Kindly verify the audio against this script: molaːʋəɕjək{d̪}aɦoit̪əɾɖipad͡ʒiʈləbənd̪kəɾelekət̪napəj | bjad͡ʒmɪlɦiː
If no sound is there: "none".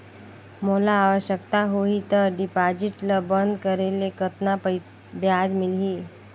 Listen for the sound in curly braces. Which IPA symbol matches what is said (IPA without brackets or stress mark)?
t̪